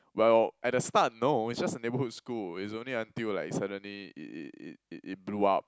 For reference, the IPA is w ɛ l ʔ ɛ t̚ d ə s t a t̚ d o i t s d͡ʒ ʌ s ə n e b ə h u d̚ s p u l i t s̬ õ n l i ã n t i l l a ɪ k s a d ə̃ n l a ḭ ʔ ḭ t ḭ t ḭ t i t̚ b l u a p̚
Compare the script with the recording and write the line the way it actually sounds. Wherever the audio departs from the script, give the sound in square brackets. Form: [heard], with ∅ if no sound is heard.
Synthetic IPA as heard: w ɛ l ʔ ɛ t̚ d ə s t a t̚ [n] o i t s d͡ʒ [a] s ə n e b ə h u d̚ s [k] u l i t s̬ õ n l i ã n t i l l a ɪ k s a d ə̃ n l [i] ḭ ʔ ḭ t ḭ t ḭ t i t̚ b l u a p̚

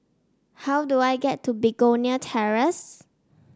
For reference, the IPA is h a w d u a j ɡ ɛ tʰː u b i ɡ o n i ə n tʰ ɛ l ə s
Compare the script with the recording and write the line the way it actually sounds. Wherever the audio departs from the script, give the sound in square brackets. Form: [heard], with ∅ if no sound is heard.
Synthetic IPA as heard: h a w d u a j ɡ ɛ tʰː u b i ɡ o n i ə [∅] tʰ ɛ [ɹ] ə s

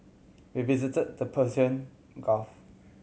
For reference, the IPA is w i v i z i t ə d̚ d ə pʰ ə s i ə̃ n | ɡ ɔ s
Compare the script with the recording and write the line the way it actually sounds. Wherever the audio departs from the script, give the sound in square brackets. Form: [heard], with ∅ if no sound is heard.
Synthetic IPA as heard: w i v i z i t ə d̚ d ə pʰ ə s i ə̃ n | ɡ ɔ [f]

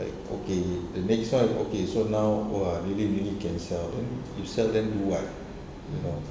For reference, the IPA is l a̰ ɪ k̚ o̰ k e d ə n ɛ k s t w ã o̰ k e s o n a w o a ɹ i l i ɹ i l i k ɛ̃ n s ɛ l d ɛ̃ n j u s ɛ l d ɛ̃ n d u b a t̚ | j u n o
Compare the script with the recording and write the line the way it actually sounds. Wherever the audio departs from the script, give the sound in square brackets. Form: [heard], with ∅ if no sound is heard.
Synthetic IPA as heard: l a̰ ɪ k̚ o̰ k e d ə n ɛ k s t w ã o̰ k e s o n a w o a ɹ i l i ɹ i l i k ɛ̃ n s ɛ l d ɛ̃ n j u s ɛ l d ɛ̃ n d u [w] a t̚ | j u n o

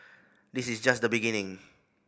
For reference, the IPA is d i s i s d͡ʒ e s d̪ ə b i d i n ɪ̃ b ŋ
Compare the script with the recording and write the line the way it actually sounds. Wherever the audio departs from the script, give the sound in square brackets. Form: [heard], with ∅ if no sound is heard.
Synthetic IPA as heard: d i s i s d͡ʒ [a] s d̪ ə b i [ɡ] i n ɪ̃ [∅] ŋ

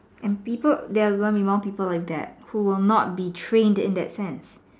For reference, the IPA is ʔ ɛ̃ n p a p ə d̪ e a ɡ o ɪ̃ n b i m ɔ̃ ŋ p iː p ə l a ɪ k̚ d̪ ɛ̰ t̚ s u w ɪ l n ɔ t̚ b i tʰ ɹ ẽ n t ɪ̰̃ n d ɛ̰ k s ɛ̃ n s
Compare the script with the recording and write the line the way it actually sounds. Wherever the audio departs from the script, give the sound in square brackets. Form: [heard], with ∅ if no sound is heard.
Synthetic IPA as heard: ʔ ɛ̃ n p [i] p ə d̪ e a ɡ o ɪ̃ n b i m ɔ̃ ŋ p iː p ə l a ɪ k̚ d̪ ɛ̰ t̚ [h] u w ɪ l n ɔ t̚ b i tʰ ɹ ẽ n [d] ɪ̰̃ n d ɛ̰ [t] s ɛ̃ n s

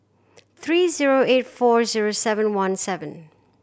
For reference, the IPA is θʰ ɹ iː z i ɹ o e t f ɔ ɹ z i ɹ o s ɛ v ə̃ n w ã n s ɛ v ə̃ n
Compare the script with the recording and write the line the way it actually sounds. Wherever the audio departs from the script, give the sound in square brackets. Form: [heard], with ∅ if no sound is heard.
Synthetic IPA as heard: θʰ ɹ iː z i ɹ o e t f ɔ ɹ z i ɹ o s ɛ v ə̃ n w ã n s ɛ v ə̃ n

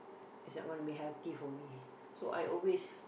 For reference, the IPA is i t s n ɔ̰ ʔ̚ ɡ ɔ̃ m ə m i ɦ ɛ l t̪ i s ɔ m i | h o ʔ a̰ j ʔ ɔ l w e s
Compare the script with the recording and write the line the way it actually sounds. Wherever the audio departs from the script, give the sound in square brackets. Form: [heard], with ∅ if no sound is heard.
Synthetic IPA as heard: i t s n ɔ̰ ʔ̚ ɡ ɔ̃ [n] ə [b] i ɦ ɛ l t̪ i [f] ɔ m i | [s] o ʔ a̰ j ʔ ɔ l w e s

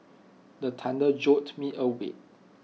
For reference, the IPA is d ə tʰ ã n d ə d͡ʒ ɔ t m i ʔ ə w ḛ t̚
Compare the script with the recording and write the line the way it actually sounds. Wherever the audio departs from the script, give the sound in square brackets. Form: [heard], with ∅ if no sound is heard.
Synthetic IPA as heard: d ə tʰ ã n d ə d͡ʒ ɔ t m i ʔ ə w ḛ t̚

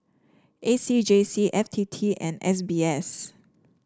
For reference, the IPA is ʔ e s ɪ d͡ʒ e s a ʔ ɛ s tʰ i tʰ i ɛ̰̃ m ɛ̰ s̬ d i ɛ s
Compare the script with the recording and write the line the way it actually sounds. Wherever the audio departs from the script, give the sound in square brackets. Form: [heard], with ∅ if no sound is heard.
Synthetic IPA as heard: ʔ e s [i] d͡ʒ e s [i] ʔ ɛ [f] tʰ i tʰ i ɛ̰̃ [n] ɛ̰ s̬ [b] i ɛ s

